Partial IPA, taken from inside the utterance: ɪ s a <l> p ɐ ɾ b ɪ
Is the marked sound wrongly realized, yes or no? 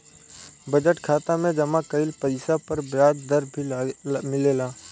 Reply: yes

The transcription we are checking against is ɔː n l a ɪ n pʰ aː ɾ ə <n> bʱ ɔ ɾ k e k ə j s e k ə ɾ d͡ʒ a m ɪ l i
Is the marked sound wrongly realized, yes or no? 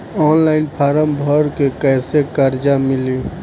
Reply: yes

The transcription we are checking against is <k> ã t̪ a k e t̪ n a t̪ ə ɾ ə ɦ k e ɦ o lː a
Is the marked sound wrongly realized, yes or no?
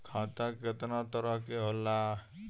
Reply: yes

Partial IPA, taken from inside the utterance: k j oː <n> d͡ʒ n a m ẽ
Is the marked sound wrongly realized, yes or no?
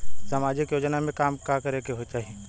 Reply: yes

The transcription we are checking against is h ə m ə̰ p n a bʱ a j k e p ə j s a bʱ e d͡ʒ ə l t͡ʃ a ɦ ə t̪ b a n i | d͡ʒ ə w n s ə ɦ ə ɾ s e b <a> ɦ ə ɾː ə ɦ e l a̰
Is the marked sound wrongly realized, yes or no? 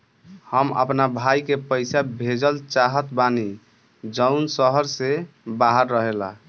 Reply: no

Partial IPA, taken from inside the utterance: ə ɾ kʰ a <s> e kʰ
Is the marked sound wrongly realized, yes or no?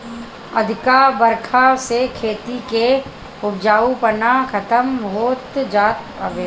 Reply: no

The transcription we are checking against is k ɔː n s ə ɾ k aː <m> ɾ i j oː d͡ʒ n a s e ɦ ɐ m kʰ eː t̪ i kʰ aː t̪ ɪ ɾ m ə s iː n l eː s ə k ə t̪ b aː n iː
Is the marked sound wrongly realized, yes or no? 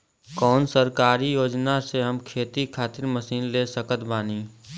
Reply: yes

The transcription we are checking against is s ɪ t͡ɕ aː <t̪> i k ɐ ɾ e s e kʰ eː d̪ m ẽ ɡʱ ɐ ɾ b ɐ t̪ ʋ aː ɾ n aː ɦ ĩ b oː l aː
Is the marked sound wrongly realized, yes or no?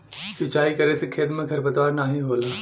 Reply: yes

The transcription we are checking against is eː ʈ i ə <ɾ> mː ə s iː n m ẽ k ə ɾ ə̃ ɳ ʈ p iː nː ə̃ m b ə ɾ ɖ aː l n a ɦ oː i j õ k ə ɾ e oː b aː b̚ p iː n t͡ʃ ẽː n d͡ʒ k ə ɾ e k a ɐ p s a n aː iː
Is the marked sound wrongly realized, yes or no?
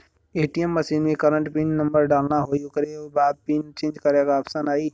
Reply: yes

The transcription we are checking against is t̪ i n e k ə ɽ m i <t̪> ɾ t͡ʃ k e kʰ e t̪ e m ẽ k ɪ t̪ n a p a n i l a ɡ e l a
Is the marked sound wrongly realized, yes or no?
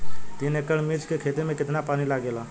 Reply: yes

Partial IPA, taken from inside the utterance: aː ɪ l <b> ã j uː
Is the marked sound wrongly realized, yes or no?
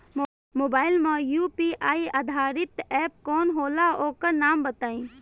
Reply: yes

